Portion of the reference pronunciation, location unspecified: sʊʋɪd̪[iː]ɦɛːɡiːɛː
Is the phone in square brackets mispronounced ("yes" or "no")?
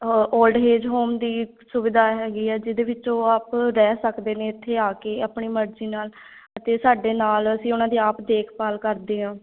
yes